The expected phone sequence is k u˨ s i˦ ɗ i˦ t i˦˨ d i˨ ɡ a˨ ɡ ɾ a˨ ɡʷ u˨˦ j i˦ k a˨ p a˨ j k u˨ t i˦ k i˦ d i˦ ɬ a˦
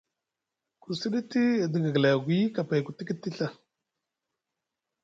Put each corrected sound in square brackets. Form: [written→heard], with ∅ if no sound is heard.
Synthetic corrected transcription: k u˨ s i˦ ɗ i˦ t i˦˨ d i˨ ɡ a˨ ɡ [ɾ→l] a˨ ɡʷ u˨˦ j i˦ k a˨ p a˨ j k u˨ t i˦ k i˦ [d→t] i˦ ɬ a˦